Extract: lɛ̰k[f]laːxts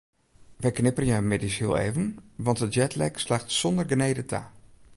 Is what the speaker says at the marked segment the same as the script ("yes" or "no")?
no